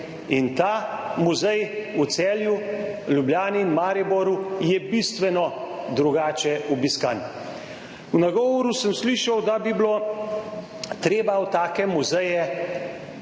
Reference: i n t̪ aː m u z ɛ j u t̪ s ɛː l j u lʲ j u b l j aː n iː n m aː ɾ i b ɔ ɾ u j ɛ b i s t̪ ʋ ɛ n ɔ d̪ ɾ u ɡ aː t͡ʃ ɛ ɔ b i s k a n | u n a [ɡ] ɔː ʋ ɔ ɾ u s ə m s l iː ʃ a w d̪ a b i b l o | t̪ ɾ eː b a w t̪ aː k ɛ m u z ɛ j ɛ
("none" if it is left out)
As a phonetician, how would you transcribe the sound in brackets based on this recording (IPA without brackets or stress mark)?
ɡ